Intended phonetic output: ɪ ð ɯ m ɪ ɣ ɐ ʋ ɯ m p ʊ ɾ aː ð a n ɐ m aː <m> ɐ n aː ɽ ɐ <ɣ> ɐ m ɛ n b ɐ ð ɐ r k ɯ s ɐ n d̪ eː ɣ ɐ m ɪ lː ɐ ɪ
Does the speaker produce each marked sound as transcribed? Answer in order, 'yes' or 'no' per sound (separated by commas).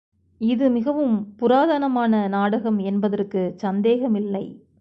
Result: no, yes